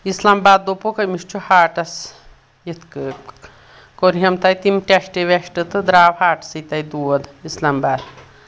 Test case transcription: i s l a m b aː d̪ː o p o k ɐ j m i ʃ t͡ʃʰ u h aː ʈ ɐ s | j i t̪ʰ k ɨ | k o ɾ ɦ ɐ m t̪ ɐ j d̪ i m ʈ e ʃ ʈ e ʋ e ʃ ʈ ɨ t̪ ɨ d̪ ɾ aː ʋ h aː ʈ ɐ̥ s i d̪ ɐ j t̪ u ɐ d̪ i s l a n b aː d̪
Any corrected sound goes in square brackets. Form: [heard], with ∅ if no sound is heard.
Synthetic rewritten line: i s l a m b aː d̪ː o p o k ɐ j m i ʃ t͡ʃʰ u h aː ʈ ɐ s | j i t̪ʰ k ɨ | k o ɾ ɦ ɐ m t̪ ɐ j [t̪] i m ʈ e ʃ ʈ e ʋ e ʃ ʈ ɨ t̪ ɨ d̪ ɾ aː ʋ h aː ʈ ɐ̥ s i [t̪] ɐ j [d̪] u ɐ d̪ i s l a [m] b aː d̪